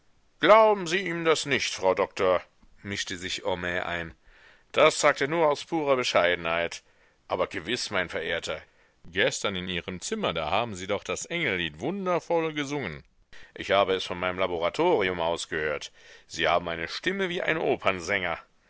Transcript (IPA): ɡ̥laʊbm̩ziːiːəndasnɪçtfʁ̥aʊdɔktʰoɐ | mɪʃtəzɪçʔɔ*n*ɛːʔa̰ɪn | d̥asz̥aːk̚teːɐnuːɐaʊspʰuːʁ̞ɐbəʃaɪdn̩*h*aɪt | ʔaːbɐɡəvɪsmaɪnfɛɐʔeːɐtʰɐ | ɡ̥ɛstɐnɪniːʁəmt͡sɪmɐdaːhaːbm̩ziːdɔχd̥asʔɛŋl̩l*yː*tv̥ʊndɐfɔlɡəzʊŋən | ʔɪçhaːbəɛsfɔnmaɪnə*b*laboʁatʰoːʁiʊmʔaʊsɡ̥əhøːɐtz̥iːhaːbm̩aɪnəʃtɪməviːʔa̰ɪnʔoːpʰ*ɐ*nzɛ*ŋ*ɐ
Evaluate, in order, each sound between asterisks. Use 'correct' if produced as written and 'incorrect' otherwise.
incorrect: m, correct, incorrect: iː, incorrect: m, correct, correct

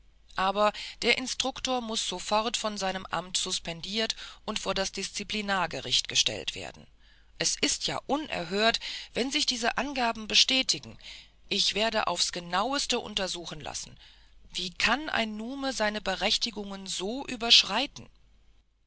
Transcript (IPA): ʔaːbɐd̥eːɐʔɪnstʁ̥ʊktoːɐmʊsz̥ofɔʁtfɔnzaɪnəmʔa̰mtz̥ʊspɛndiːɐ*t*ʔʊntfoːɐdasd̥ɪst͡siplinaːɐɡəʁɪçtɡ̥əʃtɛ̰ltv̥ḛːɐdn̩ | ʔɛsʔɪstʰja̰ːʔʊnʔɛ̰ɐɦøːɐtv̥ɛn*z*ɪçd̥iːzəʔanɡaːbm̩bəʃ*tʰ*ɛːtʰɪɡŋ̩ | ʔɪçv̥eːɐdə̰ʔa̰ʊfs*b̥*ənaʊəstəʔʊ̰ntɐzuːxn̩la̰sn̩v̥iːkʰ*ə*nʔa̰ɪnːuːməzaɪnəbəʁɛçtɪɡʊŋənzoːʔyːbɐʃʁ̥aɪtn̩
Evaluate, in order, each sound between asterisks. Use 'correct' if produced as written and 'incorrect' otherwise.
correct, correct, incorrect: t, incorrect: ɡ̥, incorrect: a

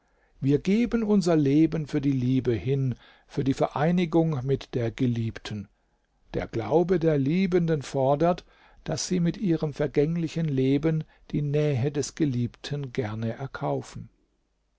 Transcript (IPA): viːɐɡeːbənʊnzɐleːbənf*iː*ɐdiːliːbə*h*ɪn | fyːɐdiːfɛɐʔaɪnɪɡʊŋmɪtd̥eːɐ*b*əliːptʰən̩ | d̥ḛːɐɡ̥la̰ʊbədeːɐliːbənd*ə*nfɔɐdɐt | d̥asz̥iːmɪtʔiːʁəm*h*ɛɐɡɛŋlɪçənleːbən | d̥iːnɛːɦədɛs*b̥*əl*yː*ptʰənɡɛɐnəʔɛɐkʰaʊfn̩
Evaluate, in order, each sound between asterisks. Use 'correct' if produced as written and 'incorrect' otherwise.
incorrect: yː, correct, incorrect: ɡ, correct, incorrect: f, incorrect: ɡ̥, incorrect: iː

